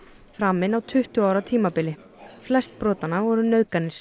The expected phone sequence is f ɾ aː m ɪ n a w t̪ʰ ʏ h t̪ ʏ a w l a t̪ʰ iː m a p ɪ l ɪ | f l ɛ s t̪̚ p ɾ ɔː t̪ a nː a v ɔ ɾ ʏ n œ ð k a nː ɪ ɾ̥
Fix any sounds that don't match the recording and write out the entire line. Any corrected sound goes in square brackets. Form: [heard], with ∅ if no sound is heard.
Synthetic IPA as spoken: f ɾ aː m ɪ n a w t̪ʰ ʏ h t̪ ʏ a w [ɾ] a t̪ʰ iː m a p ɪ l ɪ | f l ɛ s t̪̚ p ɾ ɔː t̪ a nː a v ɔ ɾ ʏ n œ ð k a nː ɪ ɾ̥